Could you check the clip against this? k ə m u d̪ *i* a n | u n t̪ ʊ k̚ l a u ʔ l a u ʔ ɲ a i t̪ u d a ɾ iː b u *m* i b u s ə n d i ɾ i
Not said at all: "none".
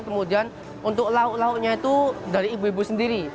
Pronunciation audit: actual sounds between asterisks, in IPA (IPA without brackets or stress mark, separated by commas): i, none